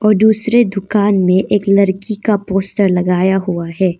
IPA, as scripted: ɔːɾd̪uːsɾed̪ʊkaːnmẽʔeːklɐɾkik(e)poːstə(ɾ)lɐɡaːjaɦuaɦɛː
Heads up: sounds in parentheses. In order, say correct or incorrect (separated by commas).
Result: incorrect, correct